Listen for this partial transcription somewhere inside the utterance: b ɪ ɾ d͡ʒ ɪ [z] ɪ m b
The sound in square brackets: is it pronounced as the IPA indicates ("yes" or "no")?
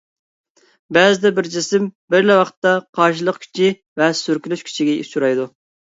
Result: no